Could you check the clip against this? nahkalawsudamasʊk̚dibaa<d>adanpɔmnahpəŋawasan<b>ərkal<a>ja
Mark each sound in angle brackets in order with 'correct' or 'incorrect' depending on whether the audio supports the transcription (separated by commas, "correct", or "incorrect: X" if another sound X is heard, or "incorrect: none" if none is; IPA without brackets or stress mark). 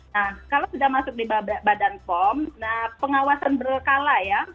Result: incorrect: b, correct, correct